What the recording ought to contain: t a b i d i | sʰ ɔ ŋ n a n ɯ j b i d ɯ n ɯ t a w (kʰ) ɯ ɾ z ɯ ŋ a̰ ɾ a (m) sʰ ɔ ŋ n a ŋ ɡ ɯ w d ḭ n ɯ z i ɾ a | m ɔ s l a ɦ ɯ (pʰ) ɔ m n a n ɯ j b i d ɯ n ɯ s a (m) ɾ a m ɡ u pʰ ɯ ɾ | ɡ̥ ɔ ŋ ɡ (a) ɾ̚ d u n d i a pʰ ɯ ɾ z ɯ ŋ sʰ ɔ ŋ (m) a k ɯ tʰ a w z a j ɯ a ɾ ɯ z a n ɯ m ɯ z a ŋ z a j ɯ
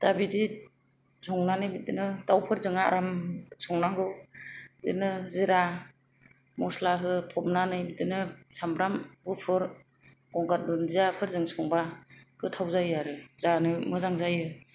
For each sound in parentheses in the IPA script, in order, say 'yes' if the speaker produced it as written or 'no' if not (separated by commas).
no, yes, yes, yes, yes, no